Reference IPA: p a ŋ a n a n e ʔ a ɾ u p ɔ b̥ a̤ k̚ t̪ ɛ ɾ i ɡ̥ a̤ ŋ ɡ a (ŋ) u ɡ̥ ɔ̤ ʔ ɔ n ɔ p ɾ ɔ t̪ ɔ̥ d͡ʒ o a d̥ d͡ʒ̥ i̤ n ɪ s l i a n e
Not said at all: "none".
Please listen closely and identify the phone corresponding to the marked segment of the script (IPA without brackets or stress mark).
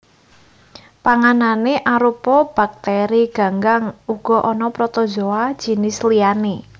ŋ